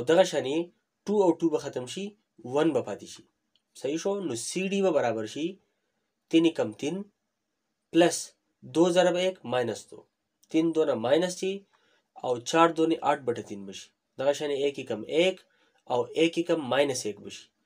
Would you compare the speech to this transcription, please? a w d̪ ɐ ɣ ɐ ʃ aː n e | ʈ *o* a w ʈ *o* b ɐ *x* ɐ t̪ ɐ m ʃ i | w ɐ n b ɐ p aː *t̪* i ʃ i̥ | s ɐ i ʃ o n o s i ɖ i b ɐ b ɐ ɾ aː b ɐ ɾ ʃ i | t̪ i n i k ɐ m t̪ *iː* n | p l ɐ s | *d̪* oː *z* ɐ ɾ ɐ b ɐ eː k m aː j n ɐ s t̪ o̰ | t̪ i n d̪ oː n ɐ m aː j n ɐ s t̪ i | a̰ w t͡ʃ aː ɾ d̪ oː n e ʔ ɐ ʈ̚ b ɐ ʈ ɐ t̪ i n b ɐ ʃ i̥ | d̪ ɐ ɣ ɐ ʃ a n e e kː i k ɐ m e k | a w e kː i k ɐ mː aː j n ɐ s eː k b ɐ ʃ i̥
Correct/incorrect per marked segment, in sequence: incorrect: u, incorrect: u, correct, correct, incorrect: i, correct, correct

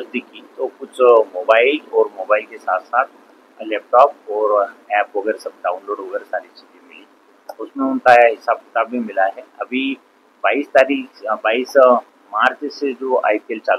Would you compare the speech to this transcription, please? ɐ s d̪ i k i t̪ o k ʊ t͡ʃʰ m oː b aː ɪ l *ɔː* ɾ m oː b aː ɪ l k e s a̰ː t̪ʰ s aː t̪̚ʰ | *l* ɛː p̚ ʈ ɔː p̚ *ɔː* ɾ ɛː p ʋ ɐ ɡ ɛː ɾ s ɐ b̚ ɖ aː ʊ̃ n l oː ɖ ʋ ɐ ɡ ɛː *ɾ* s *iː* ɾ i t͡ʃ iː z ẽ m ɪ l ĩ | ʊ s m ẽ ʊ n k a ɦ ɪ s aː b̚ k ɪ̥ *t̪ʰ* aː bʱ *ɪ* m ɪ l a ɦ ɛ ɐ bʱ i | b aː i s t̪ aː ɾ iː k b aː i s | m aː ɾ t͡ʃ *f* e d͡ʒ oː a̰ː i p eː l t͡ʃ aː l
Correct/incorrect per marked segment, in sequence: correct, correct, correct, correct, incorrect: aː, incorrect: t̪, incorrect: i, incorrect: s

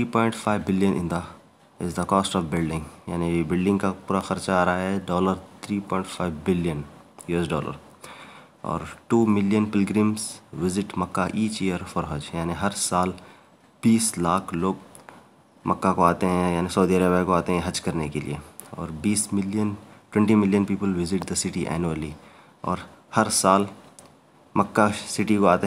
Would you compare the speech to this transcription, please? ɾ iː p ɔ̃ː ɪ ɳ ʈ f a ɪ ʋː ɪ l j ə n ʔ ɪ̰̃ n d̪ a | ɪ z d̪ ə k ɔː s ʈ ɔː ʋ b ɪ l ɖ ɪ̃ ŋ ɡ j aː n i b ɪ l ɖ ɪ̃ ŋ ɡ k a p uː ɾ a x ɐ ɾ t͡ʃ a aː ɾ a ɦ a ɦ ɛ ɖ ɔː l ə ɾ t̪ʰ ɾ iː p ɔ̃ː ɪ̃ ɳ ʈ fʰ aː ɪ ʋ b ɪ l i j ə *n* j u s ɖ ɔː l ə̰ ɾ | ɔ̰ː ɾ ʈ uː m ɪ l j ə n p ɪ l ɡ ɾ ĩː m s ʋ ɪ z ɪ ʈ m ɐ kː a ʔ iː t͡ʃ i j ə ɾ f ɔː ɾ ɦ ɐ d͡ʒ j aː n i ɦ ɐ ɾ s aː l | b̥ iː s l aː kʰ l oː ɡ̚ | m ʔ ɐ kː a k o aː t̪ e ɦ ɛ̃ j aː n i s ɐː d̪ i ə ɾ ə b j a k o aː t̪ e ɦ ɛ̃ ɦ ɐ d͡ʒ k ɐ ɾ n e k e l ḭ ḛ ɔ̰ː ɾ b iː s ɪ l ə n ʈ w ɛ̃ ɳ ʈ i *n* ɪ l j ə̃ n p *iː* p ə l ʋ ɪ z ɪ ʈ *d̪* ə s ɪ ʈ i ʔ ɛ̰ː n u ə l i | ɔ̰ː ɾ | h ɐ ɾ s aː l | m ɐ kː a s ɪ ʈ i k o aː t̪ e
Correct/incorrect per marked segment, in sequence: correct, incorrect: m, correct, correct

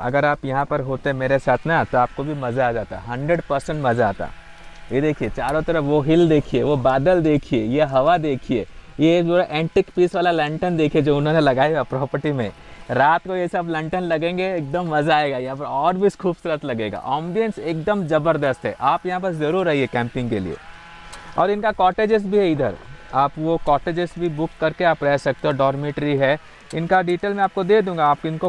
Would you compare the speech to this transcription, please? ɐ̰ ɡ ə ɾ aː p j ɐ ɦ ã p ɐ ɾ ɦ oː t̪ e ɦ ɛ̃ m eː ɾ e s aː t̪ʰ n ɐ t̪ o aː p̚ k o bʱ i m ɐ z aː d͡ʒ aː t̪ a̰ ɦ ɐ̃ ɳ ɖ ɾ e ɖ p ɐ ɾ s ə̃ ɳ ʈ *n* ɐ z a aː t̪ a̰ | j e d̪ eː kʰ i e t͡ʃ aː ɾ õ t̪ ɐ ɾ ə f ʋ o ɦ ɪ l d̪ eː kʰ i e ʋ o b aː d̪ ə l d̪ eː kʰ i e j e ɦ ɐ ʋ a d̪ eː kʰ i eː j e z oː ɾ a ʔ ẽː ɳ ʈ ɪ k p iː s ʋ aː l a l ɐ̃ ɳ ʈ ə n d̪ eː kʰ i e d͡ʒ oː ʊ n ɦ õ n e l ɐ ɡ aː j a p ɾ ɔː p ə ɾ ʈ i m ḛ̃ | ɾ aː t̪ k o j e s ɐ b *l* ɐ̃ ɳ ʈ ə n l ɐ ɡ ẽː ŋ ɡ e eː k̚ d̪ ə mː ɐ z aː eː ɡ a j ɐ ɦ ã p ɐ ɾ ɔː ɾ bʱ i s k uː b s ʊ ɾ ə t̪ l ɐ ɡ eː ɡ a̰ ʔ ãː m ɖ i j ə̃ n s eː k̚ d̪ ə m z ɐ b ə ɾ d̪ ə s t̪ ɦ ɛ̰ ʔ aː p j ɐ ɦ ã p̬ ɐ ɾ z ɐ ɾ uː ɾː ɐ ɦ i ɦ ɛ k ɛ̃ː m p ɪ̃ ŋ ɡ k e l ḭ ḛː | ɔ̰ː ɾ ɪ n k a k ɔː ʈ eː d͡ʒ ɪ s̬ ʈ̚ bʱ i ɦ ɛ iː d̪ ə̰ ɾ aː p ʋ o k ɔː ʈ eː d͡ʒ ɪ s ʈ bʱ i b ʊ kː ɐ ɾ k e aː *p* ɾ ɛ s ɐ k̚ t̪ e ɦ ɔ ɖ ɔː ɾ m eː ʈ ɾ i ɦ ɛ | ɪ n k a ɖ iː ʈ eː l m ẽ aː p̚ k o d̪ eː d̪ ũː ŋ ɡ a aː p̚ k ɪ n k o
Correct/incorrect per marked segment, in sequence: incorrect: m, correct, correct

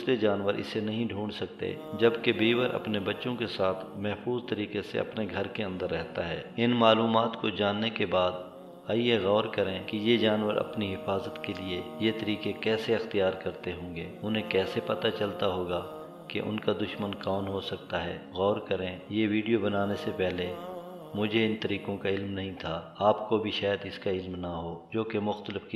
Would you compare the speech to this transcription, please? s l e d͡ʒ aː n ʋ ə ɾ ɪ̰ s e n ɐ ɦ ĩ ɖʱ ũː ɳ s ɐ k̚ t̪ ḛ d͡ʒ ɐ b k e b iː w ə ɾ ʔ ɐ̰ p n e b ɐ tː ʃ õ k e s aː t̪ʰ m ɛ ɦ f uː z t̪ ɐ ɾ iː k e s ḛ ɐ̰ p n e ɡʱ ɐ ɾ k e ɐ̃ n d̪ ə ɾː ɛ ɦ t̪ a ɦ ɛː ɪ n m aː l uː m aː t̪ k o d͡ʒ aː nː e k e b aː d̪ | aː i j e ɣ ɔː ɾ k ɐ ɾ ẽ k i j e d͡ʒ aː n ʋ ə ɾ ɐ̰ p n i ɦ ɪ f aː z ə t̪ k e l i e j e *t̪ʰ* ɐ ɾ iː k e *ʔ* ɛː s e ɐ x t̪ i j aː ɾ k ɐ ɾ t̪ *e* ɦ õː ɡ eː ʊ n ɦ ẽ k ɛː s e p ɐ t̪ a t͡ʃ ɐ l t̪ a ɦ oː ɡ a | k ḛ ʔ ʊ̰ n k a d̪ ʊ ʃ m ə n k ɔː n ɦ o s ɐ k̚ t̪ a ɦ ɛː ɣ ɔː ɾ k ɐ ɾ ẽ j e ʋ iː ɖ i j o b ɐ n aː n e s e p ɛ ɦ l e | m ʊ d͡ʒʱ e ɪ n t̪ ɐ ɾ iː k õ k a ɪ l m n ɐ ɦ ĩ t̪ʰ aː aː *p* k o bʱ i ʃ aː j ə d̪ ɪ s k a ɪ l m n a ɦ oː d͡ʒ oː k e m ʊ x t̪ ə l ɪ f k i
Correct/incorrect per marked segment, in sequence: incorrect: t̪, incorrect: k, correct, correct

